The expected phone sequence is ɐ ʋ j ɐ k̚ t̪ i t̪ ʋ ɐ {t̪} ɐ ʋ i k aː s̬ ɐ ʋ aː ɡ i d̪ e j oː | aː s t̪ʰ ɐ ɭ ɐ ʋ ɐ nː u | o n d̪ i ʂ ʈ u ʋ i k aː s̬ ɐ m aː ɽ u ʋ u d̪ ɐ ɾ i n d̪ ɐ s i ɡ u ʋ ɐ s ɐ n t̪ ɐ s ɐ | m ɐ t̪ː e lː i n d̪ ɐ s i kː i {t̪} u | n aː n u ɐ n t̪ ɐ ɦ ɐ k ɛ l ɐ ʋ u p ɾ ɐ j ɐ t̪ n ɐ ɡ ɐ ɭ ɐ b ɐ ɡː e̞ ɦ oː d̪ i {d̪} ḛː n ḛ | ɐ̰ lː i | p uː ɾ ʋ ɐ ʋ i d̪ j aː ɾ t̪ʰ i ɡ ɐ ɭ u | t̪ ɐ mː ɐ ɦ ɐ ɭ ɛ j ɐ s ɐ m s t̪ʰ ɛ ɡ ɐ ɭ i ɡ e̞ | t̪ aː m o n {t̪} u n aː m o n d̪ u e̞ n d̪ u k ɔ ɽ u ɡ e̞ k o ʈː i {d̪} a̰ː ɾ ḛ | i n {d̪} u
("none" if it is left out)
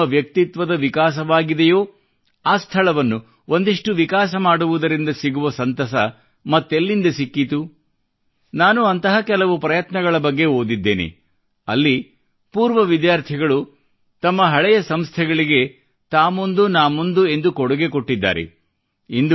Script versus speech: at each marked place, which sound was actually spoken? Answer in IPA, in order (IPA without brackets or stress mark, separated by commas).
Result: d̪, t̪, d̪ː, d̪, d̪ː, d̪